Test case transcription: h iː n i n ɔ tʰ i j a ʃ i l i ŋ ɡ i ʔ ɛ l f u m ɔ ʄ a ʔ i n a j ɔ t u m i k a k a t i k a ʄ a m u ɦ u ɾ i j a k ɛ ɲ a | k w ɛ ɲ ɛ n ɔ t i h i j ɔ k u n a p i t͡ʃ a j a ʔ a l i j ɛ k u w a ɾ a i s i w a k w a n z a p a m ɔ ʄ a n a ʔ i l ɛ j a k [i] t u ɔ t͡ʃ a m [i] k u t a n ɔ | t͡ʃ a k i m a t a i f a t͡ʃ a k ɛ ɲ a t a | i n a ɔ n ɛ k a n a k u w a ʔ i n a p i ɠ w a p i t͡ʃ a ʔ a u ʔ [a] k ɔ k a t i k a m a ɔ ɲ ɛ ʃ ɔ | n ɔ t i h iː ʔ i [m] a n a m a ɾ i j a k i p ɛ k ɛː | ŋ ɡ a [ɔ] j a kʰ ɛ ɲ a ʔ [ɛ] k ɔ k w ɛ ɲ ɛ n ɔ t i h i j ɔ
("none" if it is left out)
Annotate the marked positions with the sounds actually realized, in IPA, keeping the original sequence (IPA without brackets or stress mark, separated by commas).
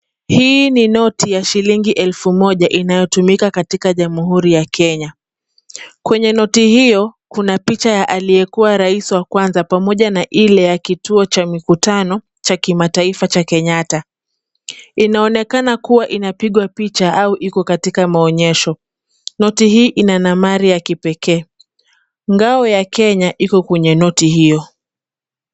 i, i, i, n, ɔ, i